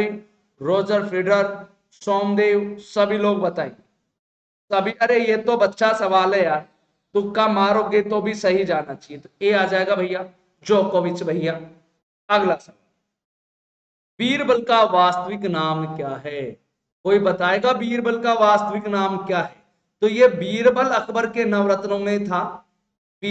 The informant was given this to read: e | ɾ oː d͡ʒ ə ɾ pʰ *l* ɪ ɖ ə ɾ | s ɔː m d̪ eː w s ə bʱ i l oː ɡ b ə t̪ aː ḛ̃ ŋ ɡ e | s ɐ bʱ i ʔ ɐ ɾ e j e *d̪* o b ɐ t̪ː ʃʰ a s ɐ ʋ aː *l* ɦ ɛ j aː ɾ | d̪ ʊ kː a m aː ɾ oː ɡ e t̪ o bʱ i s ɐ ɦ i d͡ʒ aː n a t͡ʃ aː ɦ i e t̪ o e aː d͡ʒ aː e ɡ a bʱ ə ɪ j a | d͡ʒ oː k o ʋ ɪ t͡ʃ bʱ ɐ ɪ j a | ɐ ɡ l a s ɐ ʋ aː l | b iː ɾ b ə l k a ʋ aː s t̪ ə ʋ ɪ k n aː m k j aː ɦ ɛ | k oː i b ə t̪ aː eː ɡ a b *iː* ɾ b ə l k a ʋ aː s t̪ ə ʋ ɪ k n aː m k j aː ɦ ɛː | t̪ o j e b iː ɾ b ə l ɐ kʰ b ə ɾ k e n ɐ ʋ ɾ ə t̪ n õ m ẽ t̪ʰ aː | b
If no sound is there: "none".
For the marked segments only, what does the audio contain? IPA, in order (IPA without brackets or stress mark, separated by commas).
ɾ, t̪, l, iː